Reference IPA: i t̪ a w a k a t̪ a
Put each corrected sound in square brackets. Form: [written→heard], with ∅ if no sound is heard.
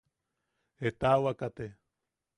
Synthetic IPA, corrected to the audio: [i→e] t̪ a w a k a t̪ [a→e]